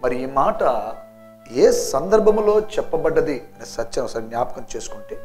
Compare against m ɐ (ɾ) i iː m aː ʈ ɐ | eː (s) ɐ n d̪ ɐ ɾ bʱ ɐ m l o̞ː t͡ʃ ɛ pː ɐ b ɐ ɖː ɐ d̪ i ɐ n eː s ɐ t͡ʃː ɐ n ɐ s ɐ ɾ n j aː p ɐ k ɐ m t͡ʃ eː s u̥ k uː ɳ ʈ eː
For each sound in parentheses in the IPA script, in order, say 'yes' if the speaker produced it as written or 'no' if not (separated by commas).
yes, yes